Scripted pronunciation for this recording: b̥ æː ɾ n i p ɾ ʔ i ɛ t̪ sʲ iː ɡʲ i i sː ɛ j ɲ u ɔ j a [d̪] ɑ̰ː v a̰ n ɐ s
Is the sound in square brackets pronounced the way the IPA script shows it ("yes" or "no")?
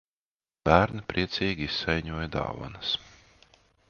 yes